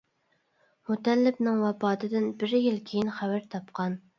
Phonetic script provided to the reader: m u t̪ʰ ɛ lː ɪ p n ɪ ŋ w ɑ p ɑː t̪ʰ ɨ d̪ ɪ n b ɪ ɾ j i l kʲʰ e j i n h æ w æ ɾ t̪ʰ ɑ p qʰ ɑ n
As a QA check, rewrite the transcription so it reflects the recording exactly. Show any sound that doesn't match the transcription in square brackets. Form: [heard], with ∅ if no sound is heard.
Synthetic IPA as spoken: m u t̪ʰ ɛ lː ɪ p n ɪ ŋ w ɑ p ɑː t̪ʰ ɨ d̪ ɪ n b ɪ ɾ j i l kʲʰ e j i n [χ] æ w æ ɾ t̪ʰ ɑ p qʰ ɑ n